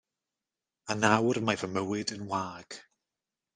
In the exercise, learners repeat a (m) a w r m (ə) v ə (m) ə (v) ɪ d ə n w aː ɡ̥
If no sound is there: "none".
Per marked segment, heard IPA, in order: n, a, m, w

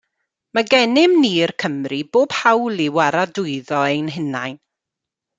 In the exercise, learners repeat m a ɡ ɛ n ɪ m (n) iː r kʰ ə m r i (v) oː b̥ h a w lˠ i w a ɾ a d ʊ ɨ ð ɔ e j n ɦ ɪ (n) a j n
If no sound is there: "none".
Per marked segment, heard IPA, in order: n, b, n

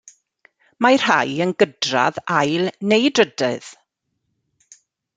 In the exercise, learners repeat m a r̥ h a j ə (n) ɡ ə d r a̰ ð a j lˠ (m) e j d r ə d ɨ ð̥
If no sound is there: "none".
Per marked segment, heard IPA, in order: n, n

